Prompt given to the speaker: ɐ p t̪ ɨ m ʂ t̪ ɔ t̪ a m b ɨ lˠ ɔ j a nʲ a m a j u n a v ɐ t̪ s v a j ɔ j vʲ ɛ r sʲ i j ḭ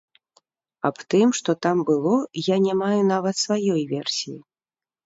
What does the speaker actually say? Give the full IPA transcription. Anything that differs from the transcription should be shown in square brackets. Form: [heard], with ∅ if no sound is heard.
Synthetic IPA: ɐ p t̪ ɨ m ʂ t̪ ɔ t̪ a m b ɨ lˠ ɔ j a nʲ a m a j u n a v ɐ t̪ s v a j ɔ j vʲ ɛ r sʲ i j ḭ